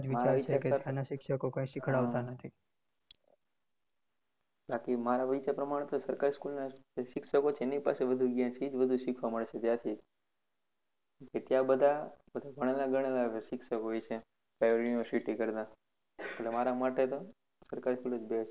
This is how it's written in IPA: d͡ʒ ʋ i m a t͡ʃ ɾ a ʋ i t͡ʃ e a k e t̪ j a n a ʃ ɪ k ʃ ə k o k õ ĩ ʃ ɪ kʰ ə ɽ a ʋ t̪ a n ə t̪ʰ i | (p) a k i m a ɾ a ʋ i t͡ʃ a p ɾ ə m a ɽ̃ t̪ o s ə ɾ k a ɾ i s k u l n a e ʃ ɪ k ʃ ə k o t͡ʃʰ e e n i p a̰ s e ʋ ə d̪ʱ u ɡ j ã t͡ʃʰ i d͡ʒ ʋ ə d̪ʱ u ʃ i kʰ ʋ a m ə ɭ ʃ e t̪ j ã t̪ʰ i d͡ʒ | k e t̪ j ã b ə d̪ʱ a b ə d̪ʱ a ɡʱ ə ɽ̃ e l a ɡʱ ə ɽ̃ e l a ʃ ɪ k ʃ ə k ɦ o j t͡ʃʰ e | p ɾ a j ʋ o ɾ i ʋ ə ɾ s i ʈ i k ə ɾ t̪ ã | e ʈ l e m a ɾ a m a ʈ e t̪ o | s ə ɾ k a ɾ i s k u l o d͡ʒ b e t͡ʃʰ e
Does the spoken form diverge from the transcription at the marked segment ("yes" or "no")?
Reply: yes